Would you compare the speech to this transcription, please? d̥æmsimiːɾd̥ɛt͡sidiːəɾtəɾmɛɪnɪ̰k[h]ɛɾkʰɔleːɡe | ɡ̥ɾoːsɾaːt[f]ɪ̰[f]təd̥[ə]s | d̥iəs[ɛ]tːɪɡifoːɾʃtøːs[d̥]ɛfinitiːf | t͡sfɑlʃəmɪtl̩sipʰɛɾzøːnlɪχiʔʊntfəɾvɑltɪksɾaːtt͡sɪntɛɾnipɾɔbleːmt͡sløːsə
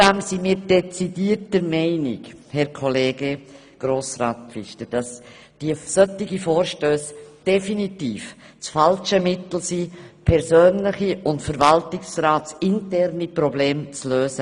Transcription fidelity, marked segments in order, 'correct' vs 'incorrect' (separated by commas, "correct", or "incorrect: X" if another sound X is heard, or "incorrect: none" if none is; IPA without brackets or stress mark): correct, correct, incorrect: ʃ, incorrect: ɑ, incorrect: œ, correct